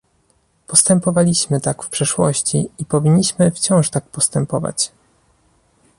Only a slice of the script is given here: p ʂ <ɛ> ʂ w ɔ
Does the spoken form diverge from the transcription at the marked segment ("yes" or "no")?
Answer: no